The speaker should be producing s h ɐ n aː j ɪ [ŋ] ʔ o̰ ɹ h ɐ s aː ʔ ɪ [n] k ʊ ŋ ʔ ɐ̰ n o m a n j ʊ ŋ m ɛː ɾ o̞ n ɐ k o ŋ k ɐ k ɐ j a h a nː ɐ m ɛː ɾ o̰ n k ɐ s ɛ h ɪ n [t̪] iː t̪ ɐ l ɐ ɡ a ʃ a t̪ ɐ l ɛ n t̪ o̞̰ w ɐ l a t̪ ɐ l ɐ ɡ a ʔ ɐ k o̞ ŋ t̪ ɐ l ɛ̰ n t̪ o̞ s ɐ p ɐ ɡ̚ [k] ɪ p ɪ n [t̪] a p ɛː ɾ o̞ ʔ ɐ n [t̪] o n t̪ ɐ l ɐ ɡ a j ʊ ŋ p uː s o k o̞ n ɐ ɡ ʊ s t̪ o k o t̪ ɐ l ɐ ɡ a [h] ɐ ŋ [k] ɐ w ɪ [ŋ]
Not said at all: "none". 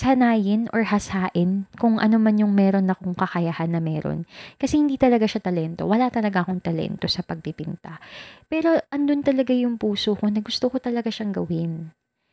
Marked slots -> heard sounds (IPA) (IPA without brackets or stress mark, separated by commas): n, n, d̪, p, t̪, d̪, ʃ, ɡ, n